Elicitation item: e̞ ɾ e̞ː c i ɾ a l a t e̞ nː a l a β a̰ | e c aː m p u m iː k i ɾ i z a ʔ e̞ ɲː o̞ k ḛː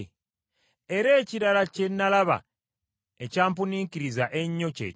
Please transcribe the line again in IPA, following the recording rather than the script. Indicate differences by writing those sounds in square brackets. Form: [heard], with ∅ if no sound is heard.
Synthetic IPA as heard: e̞ ɾ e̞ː c i ɾ a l a [c] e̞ nː a l a β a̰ | e c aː m p u [n] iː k i ɾ i z a ʔ e̞ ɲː o̞ [c] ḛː